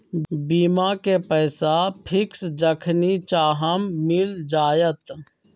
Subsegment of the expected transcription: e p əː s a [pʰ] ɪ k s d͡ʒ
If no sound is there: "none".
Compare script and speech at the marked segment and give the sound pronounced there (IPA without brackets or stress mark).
pʰ